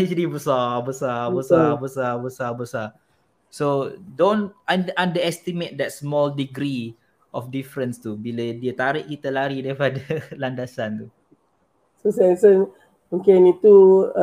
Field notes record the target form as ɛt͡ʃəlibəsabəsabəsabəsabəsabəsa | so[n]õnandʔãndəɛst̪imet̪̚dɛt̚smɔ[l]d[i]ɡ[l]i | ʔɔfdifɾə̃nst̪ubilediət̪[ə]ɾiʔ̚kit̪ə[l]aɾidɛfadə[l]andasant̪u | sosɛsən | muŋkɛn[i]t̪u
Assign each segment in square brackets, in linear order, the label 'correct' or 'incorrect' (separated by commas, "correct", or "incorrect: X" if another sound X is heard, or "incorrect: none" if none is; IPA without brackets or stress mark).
incorrect: d, correct, correct, incorrect: ɾ, incorrect: a, correct, correct, correct